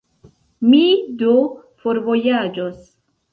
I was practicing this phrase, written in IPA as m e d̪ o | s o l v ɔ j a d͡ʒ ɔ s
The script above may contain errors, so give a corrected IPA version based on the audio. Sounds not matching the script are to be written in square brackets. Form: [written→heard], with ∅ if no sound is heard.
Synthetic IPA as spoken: m [e→i] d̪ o | [s→f] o [l→ɾ] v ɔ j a d͡ʒ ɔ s